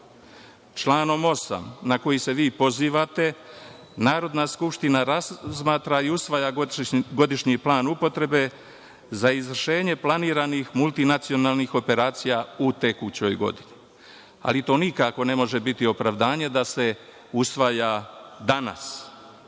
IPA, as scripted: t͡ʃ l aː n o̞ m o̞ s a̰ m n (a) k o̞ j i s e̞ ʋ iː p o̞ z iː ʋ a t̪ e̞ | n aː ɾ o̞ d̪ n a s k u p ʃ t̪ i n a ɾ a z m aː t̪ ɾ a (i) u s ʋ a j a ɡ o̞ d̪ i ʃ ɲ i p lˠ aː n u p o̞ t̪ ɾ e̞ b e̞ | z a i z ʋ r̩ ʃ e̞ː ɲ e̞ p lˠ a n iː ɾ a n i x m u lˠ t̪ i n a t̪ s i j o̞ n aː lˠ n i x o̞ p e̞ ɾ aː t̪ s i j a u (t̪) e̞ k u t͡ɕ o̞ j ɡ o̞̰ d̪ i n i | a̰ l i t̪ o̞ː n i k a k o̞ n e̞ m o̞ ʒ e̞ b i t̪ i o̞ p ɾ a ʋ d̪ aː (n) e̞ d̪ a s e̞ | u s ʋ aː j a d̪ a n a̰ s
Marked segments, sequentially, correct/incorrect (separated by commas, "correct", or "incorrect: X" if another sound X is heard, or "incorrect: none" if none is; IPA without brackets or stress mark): correct, correct, correct, incorrect: ɲ